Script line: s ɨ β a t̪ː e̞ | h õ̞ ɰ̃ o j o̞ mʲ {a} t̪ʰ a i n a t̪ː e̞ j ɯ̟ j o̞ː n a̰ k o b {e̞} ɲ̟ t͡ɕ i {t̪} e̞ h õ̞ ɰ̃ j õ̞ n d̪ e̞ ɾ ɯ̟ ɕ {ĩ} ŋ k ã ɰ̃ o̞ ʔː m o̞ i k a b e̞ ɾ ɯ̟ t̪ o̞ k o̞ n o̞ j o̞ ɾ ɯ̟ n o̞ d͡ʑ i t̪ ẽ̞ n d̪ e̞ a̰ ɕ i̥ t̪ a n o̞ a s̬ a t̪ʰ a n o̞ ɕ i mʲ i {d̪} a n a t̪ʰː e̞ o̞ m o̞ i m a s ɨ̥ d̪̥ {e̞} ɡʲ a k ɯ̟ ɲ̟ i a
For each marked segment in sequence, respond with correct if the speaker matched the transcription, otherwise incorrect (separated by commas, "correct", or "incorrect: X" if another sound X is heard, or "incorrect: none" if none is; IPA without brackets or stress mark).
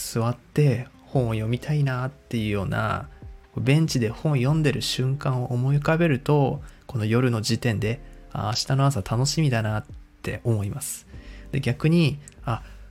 incorrect: i, incorrect: ẽ̞, incorrect: d̪, incorrect: ɨ̃, correct, correct